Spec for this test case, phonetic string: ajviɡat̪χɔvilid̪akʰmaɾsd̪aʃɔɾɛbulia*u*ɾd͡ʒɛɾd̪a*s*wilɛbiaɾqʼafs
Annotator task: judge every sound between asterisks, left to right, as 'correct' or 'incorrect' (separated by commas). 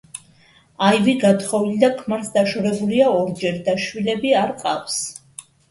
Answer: incorrect, incorrect